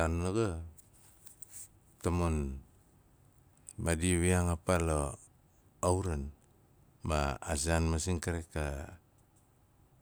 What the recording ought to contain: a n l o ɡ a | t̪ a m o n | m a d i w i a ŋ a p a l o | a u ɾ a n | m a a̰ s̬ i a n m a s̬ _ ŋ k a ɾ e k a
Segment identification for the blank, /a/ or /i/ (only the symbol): i